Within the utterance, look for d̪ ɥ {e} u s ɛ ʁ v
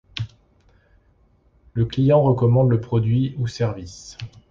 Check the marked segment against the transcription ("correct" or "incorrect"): incorrect